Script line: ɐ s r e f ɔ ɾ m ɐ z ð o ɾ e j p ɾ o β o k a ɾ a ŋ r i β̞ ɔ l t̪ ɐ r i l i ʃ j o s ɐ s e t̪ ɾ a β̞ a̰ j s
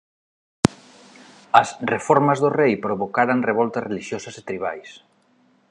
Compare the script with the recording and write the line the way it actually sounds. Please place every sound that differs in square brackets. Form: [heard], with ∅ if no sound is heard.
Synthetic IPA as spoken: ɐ s r e f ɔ ɾ m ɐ z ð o [r] e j p ɾ o β o k a ɾ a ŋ r [e] β̞ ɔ l t̪ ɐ r [e] l i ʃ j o s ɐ s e t̪ ɾ [i] β̞ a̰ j s